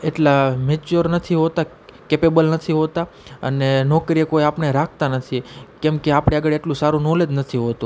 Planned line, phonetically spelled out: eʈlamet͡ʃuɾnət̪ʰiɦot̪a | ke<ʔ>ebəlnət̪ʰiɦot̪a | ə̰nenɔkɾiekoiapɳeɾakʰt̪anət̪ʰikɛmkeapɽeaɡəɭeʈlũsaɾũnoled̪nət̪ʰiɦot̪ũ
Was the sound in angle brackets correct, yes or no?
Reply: no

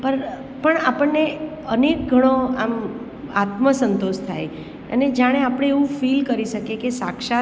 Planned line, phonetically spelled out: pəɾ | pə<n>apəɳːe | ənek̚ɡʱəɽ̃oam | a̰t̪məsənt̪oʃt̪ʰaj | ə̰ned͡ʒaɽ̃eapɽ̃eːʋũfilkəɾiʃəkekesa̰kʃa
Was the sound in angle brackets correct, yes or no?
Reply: no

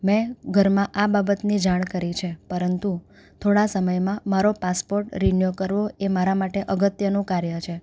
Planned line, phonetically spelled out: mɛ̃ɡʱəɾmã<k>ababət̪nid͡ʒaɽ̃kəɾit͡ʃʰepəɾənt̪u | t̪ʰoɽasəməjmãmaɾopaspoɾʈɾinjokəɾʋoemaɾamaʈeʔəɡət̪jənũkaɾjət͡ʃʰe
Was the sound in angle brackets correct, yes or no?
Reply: no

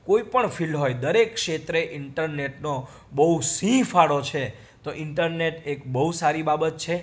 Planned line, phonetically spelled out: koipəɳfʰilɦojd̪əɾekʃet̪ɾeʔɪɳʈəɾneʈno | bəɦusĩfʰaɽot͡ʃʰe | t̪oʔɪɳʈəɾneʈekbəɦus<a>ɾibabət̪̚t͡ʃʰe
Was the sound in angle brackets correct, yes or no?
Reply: yes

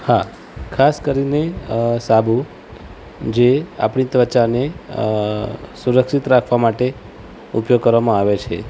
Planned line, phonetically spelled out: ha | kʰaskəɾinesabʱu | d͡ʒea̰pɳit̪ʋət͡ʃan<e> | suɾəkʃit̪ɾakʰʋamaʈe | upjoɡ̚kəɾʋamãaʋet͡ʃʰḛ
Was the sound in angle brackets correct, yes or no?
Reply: yes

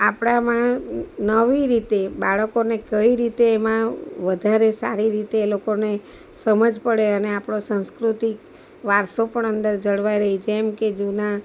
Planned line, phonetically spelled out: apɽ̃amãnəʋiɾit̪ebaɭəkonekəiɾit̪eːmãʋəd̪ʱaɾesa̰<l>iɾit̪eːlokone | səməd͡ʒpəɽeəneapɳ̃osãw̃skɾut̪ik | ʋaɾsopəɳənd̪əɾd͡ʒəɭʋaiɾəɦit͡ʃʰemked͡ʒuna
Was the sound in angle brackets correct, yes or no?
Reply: no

